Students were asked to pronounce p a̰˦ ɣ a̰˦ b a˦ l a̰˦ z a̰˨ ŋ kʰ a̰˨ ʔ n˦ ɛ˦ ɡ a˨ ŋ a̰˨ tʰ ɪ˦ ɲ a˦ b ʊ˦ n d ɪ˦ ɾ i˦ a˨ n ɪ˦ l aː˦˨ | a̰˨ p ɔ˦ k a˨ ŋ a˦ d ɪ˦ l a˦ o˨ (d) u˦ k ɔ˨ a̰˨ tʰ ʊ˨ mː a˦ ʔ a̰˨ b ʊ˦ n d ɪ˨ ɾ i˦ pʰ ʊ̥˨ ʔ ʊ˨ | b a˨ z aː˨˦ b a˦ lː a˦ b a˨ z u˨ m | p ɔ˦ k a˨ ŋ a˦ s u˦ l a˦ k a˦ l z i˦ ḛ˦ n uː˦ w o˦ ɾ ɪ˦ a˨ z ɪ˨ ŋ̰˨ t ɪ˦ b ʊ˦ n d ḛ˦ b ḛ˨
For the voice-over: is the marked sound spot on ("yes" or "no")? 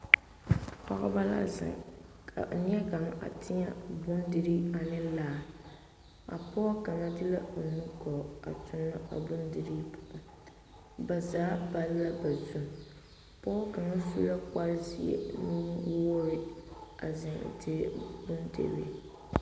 no